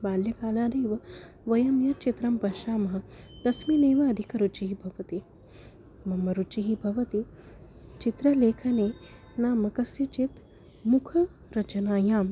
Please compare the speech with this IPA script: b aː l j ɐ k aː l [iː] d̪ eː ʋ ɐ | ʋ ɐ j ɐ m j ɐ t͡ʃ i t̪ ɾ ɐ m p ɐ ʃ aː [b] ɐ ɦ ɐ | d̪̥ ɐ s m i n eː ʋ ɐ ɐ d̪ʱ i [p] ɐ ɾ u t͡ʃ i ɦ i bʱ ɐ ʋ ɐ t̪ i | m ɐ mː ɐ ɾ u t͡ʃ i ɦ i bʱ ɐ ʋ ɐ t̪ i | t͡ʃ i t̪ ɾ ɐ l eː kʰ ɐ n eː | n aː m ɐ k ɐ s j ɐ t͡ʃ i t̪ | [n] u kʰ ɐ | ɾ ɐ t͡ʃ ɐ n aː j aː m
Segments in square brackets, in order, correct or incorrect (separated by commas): incorrect, incorrect, incorrect, incorrect